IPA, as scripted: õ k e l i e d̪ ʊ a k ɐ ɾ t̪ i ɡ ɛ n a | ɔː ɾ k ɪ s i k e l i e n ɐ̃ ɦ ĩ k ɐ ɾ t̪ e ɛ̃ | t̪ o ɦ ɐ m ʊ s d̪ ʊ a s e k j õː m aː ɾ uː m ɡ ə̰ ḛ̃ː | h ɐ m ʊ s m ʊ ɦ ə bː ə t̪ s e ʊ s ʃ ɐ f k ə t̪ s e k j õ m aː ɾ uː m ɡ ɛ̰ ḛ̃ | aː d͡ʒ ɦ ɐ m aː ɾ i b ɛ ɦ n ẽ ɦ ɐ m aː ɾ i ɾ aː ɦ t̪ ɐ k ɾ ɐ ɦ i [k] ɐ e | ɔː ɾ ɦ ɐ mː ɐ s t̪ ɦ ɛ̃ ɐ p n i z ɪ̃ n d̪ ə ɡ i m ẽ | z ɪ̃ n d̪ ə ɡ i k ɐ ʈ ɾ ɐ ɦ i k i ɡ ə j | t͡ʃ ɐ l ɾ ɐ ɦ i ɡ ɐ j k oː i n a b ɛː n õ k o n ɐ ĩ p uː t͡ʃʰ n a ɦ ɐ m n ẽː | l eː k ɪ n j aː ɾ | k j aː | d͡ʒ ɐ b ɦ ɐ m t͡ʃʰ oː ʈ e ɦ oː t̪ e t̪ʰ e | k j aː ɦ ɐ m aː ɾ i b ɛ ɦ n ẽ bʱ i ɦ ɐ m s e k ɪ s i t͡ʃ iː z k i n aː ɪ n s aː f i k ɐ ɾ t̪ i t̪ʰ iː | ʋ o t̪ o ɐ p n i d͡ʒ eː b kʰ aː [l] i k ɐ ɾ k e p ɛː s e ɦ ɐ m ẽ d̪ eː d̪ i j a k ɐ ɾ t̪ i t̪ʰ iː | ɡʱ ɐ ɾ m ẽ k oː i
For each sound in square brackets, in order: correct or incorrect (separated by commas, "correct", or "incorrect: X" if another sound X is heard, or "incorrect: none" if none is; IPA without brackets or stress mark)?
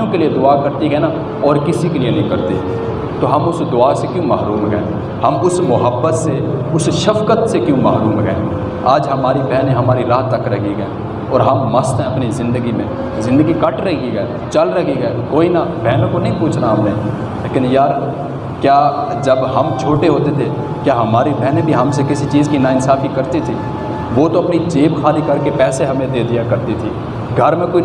incorrect: ɡ, correct